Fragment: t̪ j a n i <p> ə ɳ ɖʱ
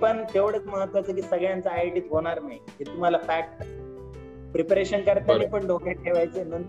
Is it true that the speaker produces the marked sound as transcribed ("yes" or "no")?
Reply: yes